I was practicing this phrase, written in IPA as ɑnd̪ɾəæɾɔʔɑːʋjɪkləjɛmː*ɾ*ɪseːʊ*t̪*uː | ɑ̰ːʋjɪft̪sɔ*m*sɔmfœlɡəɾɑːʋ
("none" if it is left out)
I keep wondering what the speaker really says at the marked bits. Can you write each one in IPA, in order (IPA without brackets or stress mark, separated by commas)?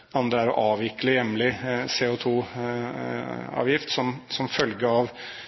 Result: l, t̪ʰ, m